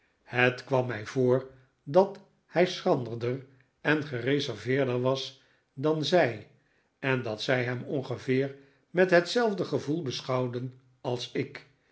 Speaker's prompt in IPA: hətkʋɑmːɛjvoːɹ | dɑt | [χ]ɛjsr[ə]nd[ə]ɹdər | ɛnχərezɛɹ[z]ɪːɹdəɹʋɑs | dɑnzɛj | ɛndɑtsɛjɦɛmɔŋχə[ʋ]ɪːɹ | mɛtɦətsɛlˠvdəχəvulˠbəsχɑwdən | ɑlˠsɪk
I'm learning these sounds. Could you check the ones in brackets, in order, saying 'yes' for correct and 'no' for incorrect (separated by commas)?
no, no, yes, no, no